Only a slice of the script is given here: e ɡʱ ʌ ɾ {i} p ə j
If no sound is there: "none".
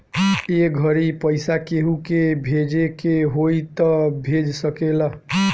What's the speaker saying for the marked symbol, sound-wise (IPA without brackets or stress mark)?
i